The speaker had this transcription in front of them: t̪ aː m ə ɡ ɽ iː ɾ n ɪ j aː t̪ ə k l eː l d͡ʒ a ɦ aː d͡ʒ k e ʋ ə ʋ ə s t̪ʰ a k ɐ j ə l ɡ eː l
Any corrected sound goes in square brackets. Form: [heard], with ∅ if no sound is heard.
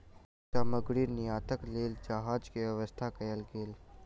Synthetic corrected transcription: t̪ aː m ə ɡ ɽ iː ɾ n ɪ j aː t̪ ə k l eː l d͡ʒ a ɦ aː d͡ʒ k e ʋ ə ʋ ə s t̪ʰ a k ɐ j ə l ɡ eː l